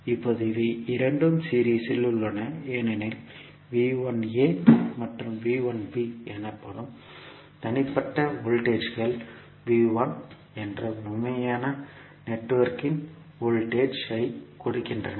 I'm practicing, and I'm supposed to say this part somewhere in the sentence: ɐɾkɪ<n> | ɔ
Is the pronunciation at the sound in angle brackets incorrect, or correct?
correct